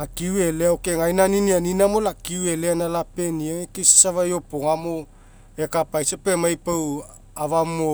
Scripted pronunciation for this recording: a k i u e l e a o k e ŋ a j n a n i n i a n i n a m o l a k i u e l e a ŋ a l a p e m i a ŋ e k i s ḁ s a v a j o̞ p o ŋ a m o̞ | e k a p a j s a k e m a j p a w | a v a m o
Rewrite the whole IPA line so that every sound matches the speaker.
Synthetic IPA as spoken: a k i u e l e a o k e ŋ a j n a n i n i a n i n a m o l a k i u e l e a n a l a p e n i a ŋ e k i s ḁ s a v a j o̞ p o ŋ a m o̞ | e k a p a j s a p e m a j p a w | a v a m o

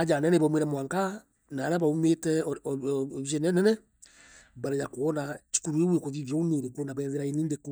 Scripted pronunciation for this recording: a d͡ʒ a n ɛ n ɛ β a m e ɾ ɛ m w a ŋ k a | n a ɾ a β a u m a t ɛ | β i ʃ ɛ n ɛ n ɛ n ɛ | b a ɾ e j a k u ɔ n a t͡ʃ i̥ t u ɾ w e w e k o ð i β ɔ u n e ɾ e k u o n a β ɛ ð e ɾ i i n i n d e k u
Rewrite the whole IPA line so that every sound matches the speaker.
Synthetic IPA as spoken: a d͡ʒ a n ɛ n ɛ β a m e ɾ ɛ m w a ŋ k a | n a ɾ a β a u m e t ɛ | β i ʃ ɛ n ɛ n ɛ n ɛ | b a ɾ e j a k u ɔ n a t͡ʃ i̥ k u ɾ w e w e k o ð i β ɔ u n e ɾ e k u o n a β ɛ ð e ɾ a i n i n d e k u

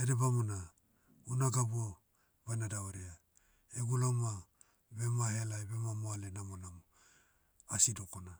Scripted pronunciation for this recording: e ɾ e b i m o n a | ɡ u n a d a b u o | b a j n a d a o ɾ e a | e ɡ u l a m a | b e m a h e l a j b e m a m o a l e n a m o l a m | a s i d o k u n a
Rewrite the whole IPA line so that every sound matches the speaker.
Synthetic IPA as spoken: e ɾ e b a m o n a | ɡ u n a ɡ a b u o | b a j n a d a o ɾ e a | e ɡ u l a m a | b e m a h e l a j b e m a m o a l e n a m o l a m | a s i d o k o n a

